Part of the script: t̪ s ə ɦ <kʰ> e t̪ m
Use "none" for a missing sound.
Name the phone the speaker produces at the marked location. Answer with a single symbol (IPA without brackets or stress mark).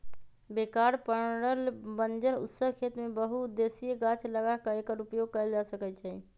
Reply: kʰ